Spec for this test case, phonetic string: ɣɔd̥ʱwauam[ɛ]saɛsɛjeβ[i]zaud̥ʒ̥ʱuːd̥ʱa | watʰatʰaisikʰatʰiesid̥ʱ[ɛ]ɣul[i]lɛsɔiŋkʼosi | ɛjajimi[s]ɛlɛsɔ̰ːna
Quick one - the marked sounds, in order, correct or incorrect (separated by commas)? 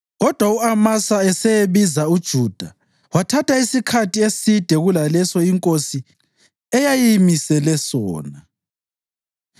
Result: incorrect, correct, correct, incorrect, correct